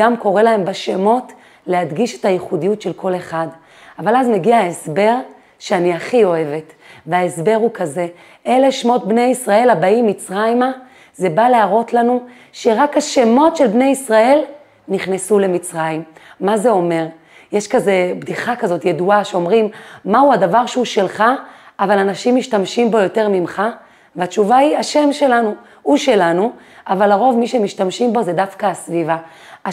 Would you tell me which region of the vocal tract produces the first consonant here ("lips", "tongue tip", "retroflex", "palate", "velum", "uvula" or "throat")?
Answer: lips